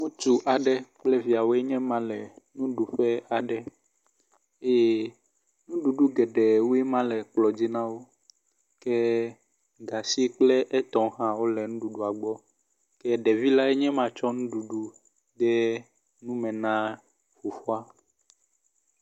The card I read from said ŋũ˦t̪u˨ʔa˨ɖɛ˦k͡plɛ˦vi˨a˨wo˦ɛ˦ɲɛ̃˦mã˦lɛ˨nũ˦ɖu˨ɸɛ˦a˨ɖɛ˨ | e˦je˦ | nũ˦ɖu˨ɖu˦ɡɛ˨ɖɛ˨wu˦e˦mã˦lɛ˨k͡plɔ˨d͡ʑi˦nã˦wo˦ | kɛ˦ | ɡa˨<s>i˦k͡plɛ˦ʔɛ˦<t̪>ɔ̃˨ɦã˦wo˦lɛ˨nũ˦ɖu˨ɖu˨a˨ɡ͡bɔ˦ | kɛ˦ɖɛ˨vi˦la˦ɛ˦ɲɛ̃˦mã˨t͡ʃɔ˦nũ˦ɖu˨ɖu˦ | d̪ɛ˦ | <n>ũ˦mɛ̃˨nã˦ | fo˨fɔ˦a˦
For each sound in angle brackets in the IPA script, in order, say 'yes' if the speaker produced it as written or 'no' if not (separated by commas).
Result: yes, yes, yes